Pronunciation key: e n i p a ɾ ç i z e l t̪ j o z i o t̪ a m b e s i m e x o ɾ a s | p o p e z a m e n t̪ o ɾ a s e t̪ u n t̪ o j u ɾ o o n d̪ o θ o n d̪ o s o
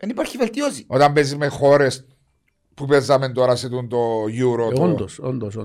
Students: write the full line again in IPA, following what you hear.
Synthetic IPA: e n i p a ɾ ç i v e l t̪ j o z i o t̪ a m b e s i m e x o ɾ e s | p u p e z a m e n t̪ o ɾ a s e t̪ u n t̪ o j u ɾ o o n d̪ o s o n d̪ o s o